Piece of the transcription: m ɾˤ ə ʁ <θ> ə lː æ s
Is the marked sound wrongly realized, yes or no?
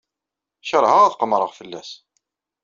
yes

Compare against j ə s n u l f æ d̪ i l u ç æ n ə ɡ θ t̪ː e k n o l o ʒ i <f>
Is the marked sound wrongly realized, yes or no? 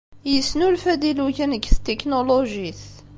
yes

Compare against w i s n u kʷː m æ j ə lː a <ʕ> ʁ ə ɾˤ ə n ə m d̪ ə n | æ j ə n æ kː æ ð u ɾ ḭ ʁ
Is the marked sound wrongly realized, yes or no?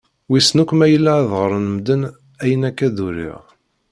yes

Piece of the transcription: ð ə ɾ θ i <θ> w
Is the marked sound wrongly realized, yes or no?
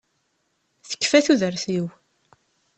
yes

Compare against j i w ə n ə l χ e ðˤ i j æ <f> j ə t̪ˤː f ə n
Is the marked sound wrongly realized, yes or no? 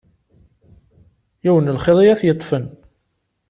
yes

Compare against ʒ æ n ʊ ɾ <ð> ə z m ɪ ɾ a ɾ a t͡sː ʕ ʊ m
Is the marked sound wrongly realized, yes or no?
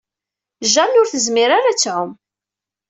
yes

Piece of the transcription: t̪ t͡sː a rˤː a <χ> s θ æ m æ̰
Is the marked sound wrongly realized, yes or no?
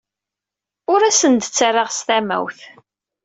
yes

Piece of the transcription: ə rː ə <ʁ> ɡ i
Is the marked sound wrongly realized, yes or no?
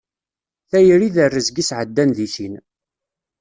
yes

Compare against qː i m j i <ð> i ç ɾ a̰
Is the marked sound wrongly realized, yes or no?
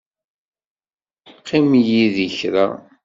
no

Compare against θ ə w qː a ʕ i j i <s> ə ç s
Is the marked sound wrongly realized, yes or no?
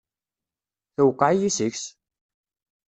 no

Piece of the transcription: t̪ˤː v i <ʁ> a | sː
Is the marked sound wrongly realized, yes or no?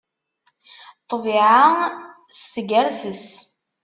yes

